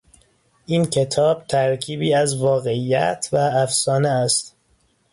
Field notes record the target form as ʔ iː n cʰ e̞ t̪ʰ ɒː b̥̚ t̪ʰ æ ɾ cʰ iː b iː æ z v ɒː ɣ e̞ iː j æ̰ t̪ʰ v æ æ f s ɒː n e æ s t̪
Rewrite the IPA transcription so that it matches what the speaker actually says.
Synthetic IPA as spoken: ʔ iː n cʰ e̞ t̪ʰ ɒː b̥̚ t̪ʰ æ ɾ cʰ iː b iː æ z v ɒː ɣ e̞ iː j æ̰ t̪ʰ v æ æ f s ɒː n e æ s t̪